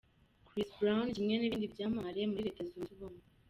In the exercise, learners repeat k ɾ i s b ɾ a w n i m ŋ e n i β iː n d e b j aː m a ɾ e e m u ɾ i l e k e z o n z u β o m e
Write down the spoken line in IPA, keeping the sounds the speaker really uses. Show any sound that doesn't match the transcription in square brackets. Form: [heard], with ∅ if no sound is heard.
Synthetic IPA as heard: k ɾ i s b ɾ a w n i m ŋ e n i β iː n d [i] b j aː m a ɾ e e m u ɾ i [ɾ] e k e z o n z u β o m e